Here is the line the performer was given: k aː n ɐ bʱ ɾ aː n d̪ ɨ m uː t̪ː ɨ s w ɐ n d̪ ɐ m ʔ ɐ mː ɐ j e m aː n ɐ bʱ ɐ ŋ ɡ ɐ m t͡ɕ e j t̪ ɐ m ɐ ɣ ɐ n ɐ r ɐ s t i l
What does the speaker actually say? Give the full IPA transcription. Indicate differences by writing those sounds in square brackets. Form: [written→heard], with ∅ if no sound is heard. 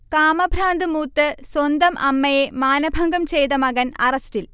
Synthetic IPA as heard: k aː [n→m] ɐ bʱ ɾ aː n d̪ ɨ m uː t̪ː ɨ s w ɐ n d̪ ɐ m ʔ ɐ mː ɐ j e m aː n ɐ bʱ ɐ ŋ ɡ ɐ m t͡ɕ e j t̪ ɐ m ɐ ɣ ɐ n ɐ r ɐ s t i l